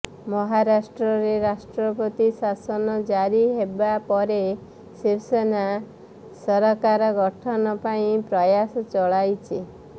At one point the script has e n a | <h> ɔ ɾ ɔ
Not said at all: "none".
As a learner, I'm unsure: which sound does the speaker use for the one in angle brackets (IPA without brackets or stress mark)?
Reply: s